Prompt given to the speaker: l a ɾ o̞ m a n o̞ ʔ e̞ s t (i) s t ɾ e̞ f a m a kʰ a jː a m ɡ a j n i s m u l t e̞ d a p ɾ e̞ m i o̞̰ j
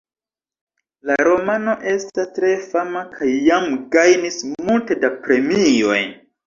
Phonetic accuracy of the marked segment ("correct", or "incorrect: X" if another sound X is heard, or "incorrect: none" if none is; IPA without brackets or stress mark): incorrect: a